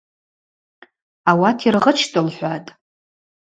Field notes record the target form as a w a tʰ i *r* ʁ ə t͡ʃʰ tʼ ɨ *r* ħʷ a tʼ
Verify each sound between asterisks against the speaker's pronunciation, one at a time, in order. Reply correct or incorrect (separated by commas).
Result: correct, incorrect